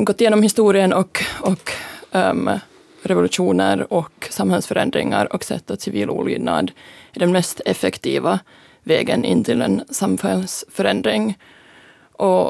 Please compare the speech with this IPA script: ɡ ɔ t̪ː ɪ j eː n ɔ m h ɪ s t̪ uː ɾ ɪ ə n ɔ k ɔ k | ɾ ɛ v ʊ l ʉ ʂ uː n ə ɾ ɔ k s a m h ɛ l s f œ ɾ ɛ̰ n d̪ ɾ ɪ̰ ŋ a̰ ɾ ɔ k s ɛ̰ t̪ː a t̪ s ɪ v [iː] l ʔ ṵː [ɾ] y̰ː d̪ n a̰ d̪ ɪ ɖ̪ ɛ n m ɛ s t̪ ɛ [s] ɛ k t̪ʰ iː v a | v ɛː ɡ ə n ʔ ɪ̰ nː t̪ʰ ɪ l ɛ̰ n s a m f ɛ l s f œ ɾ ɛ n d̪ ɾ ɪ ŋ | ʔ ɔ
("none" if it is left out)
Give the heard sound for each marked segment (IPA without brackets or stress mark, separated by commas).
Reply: iː, l, f